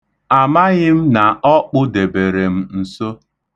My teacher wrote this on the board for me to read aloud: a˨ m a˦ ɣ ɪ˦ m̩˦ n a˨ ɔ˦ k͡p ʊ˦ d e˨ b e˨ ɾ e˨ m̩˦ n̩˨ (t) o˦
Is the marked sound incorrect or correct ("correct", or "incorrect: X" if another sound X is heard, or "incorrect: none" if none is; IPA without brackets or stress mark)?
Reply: incorrect: s